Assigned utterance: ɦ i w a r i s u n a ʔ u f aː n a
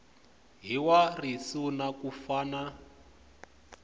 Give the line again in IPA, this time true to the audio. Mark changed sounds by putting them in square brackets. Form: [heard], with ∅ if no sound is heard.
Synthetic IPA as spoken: ɦ i w a r i s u n a [k] u f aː n a